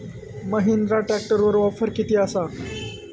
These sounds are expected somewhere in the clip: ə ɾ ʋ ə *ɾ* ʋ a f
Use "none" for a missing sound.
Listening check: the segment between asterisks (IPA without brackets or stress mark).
ɾ